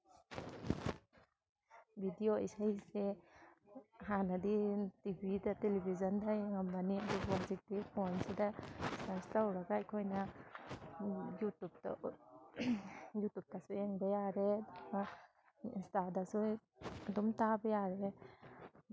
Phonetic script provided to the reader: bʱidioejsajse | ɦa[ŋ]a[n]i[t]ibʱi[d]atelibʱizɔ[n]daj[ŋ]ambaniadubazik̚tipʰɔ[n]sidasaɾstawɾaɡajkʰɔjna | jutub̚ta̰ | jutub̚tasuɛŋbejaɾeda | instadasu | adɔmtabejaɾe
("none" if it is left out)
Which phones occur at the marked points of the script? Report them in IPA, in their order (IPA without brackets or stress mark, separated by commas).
n, d, t, d, n, ŋ, n